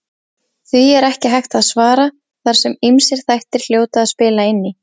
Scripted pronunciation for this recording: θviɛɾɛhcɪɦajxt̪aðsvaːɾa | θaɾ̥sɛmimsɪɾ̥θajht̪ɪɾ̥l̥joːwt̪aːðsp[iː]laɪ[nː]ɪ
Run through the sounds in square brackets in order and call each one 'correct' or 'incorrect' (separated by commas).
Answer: incorrect, correct